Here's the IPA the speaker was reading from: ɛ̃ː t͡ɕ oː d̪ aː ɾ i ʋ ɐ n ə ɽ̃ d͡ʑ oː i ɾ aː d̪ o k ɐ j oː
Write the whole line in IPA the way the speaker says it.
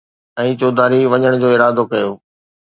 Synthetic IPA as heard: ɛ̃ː t͡ɕ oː d̪ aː ɾ i ʋ ɐ ɲ ə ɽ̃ d͡ʑ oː ɪ ɾ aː d̪ o k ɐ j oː

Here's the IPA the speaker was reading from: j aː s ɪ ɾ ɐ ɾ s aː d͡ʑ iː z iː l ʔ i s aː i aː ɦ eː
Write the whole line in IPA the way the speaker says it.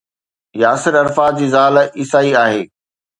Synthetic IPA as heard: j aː s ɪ ɾ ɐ ɾ f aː d͡ʑ iː z aː l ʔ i s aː i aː ɦ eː

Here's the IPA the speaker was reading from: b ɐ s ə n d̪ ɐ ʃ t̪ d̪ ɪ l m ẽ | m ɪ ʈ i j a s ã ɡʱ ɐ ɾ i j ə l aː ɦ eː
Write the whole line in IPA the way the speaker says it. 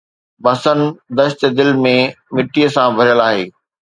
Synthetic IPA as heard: b ɐ s ə n d̪ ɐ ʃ t̪ d̪ ɪ l m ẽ | m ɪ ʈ i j ə s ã bʱ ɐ ɾ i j ə l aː ɦ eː

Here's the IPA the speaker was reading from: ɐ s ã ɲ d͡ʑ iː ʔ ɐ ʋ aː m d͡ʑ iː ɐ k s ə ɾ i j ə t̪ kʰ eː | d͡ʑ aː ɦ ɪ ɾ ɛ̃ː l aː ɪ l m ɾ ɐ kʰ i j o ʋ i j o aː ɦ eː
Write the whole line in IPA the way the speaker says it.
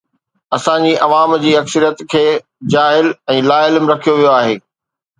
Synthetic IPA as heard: ɐ s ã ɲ d͡ʑ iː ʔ ɐ ʋ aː m d͡ʑ iː ɐ k s ə ɾ i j ə t̪ kʰ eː | d͡ʑ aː ɦ ɪ l ɛ̃ː l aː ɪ l m ɾ ɐ kʰ i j o ʋ i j o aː ɦ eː

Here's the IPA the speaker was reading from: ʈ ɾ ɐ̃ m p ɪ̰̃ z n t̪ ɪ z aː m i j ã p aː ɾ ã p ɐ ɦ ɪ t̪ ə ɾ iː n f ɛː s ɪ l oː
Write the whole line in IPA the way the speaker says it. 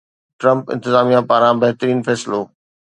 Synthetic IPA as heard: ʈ ɾ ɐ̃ m p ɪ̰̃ n t̪ ɪ z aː m i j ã p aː ɾ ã b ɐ ɦ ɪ t̪ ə ɾ iː n f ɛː s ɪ l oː

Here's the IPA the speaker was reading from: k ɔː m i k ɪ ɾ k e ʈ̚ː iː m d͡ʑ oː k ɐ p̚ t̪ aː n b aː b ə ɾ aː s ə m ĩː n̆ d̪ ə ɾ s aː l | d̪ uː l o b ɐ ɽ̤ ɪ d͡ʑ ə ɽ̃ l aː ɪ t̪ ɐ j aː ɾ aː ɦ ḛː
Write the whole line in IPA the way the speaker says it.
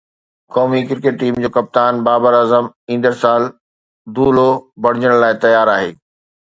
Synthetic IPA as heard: k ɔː m i k ɪ ɾ k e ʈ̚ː iː m d͡ʑ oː k ɐ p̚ t̪ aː n b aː b ə ɾ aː z ə m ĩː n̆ d̪ ə ɾ s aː l | d̪ uː l o b ɐ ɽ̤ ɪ d͡ʑ ə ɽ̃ l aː ɪ t̪ ɐ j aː ɾ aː ɦ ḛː

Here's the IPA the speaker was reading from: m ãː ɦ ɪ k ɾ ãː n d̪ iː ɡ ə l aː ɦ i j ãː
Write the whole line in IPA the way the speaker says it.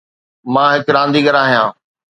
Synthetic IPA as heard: m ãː ɦ ɪ k ɾ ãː n d̪ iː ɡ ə ɾ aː ɦ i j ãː

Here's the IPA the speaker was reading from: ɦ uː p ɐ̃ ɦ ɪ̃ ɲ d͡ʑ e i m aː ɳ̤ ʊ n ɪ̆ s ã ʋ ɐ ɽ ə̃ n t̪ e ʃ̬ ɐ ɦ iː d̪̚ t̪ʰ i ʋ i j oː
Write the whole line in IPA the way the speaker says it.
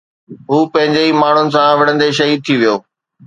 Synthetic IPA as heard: ɦ uː p ɐ̃ ɦ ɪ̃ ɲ d͡ʑ e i m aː ɳ̤ ʊ n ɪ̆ s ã ʋ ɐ ɽ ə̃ n d̪ e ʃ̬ ɐ ɦ iː d̪̚ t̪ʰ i ʋ i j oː

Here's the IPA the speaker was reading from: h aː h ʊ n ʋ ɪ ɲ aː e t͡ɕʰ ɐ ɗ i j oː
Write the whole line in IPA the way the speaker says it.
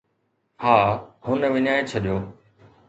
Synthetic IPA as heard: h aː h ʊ n ʋ ɪ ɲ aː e t͡ɕʰ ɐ ɗ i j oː

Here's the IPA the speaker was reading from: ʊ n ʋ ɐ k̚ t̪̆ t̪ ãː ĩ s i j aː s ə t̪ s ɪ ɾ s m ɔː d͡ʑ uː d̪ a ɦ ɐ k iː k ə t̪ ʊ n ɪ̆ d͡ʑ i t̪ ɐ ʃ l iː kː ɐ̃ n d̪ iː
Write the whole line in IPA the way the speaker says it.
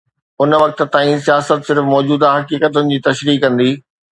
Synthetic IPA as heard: ʊ n ʋ ɐ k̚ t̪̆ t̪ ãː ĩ s i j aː s ə t̪ s ɪ ɾ f m ɔː d͡ʑ uː d̪ a ɦ ɐ k iː k ə t̪ ʊ n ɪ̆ d͡ʑ iː t̪ ɐ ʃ ɾ iː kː ɐ̃ n d̪ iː

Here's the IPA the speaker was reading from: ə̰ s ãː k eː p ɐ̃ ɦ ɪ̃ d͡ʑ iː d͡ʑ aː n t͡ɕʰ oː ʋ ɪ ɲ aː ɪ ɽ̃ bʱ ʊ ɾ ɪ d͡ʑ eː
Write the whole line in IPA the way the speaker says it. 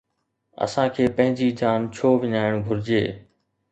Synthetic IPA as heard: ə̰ s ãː kʰ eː p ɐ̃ ɦ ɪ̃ d͡ʑ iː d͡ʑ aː n t͡ɕʰ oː ʋ ɪ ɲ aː ɪ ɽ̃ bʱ ʊ ɾ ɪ d͡ʑ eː

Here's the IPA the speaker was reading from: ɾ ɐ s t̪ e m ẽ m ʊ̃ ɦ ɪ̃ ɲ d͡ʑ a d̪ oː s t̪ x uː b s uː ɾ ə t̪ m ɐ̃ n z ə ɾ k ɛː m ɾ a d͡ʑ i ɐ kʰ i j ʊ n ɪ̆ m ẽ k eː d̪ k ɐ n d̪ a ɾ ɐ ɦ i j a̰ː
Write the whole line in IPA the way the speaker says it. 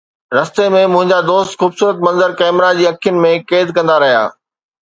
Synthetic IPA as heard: ɾ ɐ s t̪ e m ẽ m ʊ̃ ɦ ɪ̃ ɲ d͡ʑ a d̪ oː s t̪ x uː b s uː ɾ ə t̪ m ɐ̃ n z ə ɾ k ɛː m ɾ a d͡ʑ iː ɐ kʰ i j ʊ n ɪ̆ m ẽ k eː d̪ k ɐ̃ n d̪ a ɾ ɐ ɦ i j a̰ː

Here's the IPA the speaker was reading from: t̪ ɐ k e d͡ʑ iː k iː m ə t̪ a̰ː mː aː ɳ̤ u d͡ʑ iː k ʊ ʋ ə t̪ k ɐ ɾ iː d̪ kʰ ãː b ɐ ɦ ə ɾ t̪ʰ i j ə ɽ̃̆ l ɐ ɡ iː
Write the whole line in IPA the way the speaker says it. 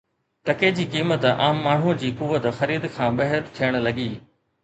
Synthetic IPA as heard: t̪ ɐ k e d͡ʑ iː k iː m ə t̪ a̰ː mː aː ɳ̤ u d͡ʑ iː k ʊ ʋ ə t̪ x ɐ ɾ iː d̪ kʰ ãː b ɐ ɦ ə ɾ t̪ʰ i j ə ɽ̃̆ l ɐ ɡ iː

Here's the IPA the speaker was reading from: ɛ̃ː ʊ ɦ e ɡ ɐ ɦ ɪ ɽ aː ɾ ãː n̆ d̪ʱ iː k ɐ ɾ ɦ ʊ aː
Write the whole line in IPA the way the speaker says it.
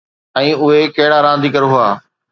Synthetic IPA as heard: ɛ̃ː ʊ ɦ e k ɐ ɦ ɪ ɽ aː ɾ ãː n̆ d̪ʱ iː k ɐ ɾ ɦ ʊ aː

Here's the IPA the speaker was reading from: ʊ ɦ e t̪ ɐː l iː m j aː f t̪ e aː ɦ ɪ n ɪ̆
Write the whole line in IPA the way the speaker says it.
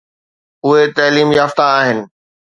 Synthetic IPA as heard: ʊ ɦ e t̪ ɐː l iː m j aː f t̪ a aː ɦ ɪ n ɪ̆

